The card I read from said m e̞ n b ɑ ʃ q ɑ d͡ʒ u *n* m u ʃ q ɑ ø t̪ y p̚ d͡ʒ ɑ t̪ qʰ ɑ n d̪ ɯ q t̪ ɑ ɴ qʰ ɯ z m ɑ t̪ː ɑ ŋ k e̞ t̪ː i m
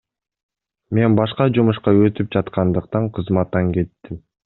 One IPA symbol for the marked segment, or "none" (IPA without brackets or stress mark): none